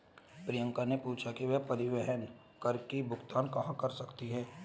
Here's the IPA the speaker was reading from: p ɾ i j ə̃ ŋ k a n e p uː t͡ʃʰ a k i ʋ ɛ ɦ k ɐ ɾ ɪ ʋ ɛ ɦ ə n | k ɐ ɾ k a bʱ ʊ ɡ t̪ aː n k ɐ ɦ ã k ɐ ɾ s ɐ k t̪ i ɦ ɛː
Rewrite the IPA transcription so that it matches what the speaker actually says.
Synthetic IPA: p ɾ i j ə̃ ŋ k a n e p uː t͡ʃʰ a k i ʋ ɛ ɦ p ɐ ɾ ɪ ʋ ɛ ɦ ə n | k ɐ ɾ k i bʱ ʊ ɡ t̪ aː n k ɐ ɦ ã k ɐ ɾ s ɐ k t̪ i ɦ ɛː